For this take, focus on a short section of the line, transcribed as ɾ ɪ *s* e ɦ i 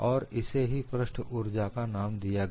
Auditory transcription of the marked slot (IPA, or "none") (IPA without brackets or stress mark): s